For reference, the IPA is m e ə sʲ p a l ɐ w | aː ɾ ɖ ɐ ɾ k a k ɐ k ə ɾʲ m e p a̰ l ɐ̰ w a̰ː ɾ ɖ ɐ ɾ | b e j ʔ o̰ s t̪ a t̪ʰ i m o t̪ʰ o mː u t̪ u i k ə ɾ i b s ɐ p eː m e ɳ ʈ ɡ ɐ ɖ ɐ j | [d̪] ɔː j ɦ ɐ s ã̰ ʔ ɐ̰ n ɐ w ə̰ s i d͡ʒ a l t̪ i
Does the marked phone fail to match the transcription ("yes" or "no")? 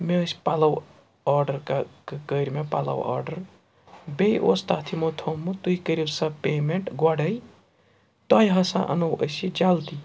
yes